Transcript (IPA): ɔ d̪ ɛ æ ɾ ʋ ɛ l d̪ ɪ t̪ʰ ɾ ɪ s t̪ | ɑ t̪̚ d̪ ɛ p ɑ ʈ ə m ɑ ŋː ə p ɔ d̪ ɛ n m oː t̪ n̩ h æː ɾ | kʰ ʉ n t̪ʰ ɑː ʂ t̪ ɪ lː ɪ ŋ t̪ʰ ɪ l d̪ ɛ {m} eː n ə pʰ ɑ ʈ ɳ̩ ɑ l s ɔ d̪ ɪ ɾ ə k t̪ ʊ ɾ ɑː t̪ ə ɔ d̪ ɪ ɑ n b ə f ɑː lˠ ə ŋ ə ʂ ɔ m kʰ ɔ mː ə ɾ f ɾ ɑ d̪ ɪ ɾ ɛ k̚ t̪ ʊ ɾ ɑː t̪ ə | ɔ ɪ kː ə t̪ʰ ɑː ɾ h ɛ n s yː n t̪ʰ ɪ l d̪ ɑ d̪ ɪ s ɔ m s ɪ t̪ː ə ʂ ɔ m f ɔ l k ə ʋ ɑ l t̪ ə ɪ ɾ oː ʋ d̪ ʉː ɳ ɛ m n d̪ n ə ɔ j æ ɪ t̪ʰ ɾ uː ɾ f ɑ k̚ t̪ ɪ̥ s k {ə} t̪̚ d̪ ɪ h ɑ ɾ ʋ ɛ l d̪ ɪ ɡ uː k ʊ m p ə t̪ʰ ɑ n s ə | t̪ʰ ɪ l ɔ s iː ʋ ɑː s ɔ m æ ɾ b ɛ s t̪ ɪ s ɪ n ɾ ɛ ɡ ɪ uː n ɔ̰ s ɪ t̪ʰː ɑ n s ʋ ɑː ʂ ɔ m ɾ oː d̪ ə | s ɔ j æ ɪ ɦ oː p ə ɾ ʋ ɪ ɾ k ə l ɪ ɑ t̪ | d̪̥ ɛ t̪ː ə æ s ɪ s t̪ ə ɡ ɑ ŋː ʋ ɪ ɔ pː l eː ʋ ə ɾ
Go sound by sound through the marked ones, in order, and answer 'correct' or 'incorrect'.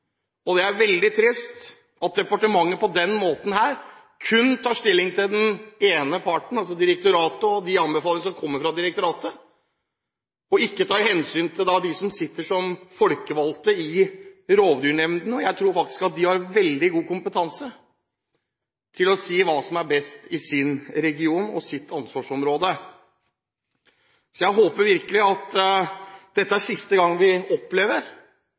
incorrect, incorrect

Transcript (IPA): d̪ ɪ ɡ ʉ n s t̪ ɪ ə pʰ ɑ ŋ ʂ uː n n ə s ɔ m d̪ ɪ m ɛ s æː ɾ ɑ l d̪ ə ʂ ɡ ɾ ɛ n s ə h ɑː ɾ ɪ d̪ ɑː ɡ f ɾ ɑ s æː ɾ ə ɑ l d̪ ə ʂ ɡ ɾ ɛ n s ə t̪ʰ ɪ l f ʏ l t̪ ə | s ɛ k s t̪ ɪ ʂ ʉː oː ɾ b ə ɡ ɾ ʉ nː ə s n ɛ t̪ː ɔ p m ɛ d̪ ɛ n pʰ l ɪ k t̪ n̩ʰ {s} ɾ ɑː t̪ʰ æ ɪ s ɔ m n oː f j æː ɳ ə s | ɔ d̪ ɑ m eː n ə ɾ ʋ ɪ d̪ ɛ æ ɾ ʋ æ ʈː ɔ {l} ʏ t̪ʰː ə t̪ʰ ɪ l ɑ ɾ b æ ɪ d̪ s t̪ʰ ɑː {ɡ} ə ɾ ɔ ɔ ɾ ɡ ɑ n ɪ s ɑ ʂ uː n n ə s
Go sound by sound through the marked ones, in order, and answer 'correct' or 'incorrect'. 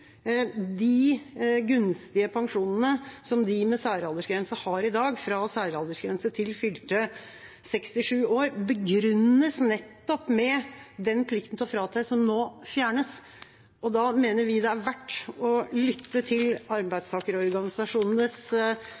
incorrect, correct, incorrect

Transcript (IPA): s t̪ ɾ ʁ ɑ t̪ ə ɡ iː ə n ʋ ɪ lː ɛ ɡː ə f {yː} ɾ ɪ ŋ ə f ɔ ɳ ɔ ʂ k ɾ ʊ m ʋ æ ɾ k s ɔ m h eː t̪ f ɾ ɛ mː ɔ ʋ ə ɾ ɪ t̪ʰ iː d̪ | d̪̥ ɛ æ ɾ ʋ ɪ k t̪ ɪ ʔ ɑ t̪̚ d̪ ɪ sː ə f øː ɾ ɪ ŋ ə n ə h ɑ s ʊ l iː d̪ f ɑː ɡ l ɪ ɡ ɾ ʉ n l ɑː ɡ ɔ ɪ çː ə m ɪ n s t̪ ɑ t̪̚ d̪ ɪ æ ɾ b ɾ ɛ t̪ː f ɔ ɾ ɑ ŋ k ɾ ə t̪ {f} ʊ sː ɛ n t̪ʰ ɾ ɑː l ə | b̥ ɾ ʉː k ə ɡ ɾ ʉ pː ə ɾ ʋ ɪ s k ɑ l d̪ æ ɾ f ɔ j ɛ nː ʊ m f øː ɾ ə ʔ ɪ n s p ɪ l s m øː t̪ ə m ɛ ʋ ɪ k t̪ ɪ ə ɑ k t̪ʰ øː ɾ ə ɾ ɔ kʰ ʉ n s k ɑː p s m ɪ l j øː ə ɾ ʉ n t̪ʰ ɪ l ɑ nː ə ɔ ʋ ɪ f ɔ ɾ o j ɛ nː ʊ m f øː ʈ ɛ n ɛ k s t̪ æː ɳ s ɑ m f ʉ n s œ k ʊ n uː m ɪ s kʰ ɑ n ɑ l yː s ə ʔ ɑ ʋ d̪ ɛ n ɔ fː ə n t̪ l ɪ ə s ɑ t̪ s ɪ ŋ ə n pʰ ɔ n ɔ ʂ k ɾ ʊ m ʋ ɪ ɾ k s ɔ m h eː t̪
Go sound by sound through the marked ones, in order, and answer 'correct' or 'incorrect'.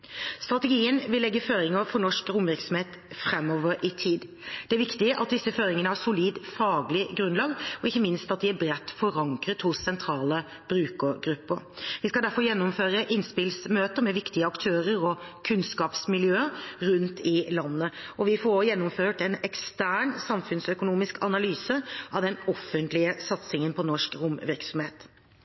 incorrect, incorrect

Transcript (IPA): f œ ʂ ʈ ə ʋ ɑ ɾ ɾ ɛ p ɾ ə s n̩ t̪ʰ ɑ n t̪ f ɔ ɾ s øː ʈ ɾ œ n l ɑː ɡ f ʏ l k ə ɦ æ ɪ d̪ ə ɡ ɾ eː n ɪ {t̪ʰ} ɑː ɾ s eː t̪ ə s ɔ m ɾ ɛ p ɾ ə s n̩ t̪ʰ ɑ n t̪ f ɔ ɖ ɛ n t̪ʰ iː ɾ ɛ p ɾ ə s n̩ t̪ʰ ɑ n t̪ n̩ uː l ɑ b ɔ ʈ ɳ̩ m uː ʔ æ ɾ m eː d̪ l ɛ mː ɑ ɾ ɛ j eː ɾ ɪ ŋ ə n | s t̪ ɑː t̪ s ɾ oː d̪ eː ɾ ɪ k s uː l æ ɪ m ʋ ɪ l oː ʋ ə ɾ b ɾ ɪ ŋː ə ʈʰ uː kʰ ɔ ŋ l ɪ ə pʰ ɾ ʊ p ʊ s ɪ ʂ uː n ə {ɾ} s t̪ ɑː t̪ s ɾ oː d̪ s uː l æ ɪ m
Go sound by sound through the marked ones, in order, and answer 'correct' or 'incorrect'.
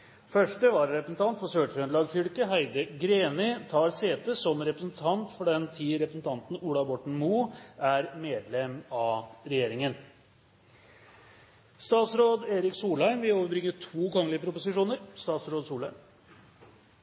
correct, correct

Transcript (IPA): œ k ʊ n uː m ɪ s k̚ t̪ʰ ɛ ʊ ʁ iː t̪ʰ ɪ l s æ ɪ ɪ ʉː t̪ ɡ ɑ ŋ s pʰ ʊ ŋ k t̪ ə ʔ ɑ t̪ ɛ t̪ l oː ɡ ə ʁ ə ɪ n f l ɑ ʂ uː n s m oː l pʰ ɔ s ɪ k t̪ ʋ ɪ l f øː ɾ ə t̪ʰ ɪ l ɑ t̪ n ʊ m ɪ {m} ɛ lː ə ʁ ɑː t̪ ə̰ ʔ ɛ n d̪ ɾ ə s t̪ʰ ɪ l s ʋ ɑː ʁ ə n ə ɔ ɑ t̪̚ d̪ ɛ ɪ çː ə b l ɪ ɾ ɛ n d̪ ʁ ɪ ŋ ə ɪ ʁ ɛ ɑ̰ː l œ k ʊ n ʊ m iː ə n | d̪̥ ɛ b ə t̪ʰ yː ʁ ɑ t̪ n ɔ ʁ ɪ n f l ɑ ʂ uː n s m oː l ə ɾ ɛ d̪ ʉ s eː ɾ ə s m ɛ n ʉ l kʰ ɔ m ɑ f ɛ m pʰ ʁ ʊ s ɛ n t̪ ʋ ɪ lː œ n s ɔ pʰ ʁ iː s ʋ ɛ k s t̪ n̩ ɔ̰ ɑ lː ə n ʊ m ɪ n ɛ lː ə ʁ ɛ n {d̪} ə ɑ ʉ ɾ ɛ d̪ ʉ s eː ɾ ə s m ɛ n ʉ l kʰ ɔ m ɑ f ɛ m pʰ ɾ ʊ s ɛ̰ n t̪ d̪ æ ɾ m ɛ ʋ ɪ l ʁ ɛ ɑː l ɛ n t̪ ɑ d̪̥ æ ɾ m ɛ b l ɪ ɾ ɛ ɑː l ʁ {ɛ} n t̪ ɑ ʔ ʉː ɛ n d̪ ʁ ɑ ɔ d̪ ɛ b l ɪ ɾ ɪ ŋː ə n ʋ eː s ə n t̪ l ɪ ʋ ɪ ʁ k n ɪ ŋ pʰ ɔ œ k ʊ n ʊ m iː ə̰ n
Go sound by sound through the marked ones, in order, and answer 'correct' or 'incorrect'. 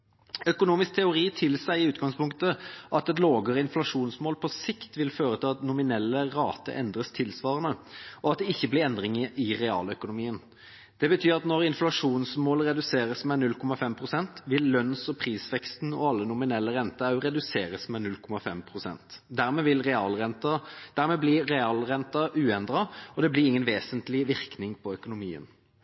incorrect, incorrect, correct

